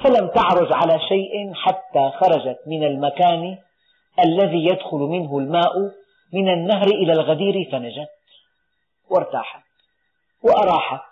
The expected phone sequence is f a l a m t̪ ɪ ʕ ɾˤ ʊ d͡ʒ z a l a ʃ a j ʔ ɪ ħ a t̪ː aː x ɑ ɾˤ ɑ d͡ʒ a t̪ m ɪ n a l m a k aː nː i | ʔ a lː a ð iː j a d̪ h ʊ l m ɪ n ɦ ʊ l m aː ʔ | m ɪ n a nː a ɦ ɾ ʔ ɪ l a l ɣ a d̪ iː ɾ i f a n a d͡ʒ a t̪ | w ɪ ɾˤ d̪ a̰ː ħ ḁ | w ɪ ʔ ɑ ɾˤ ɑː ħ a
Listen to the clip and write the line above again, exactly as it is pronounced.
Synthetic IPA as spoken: f a l a m t̪ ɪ ʕ ɾˤ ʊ d͡ʒ ʕ a l a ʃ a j ʔ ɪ ħ a t̪ː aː x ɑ ɾˤ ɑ d͡ʒ a t̪ m ɪ n a l m a k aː n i | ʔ a lː a ð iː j a d̪ x ʊ l m ɪ n ɦ ʊ l m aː ʔ | m ɪ n a nː a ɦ ɾ ʔ ɪ l a l ɣ a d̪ iː ɾ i f a n a d͡ʒ a t̪ | w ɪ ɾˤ t̪ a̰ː ħ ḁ | w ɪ ʔ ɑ ɾˤ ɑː ħ a